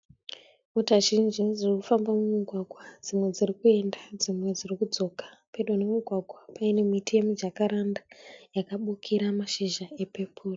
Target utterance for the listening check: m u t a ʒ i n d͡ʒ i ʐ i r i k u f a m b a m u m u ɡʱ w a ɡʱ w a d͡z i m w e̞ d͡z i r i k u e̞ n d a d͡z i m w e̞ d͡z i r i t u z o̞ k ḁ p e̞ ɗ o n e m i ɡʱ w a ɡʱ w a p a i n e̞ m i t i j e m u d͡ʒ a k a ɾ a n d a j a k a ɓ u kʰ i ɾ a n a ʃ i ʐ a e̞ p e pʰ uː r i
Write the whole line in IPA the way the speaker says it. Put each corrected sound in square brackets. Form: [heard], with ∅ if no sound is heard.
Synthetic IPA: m u t a ʒ i n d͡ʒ i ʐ i r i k u f a m b a m u m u ɡʱ w a ɡʱ w a d͡z i m w e̞ d͡z i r i k u e̞ n d a d͡z i m w e̞ d͡z i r i [k] u [d͡z] o̞ k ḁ p e̞ ɗ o n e m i ɡʱ w a ɡʱ w a p a i n e̞ m i t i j e m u d͡ʒ a k a ɾ a n d a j a k a ɓ u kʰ i ɾ a [m] a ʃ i [ʒ] a e̞ p e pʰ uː r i

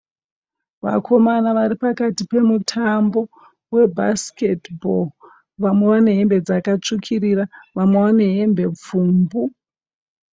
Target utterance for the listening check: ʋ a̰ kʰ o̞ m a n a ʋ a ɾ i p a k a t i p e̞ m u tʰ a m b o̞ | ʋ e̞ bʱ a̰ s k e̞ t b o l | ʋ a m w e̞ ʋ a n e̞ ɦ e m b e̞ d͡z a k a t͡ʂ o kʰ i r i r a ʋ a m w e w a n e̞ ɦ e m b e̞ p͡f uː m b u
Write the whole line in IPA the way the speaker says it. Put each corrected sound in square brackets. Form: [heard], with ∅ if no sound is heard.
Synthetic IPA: ʋ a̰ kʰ o̞ m a n a ʋ a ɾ i p a k a t i p e̞ m u tʰ a m b o̞ | [w] e̞ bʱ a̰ s k e̞ t b o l | ʋ a m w e̞ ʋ a n e̞ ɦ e m b e̞ d͡z a k a t͡ʂ [u] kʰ i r i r a ʋ a m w e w a n e̞ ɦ e m b e̞ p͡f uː m b u

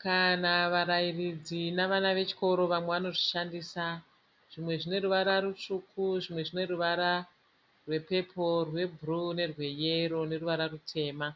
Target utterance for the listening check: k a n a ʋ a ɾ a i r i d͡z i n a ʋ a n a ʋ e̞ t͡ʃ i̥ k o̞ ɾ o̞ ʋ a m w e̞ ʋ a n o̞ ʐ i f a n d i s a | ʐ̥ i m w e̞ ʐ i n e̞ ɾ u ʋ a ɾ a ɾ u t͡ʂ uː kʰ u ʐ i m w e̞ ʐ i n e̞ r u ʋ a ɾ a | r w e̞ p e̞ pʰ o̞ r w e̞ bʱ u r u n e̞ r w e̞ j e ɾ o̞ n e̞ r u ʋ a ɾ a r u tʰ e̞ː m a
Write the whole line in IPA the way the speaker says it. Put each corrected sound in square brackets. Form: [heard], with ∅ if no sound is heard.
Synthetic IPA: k a n a ʋ a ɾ a i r i d͡z i n a ʋ a n a ʋ e̞ t͡ʃ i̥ k o̞ ɾ o̞ ʋ a m w e̞ ʋ a n o̞ ʐ i [ʃ] a n d i s a | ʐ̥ i m w e̞ ʐ i n e̞ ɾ u ʋ a ɾ a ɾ u t͡ʂ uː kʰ u ʐ i m w e̞ ʐ i n e̞ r u ʋ a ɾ a | r w e̞ p e̞ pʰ o̞ r w e̞ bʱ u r u n e̞ r w e̞ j e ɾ o̞ n e̞ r u ʋ a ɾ a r u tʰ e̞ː m a

